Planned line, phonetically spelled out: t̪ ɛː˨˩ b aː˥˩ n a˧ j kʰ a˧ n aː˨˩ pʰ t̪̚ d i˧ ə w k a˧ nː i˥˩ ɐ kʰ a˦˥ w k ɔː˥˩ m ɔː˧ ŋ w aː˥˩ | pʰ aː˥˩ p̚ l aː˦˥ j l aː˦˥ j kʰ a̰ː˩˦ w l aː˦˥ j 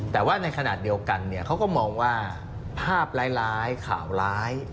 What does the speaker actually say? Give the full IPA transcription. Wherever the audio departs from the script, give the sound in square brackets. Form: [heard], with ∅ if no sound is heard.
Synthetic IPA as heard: t̪ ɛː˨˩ [w] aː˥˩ n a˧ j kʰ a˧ n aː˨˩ [∅] t̪̚ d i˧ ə w k a˧ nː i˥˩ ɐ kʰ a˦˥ w k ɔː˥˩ m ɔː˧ ŋ w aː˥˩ | pʰ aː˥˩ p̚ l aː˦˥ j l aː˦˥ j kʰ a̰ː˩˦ w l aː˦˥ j